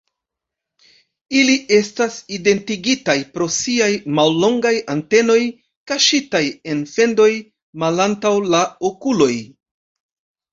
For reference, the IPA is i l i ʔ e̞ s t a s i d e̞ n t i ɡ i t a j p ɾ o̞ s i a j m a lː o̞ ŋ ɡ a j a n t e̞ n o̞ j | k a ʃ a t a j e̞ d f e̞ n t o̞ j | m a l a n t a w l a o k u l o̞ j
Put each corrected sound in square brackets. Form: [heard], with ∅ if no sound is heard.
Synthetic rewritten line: i l i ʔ e̞ s t a s i d e̞ n t i ɡ i t a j p ɾ o̞ s i a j m a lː o̞ ŋ ɡ a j a n t e̞ n o̞ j | k a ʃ [i] t a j e̞ [n] f e̞ n [d] o̞ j | m a l a n t a w l a o k u l o̞ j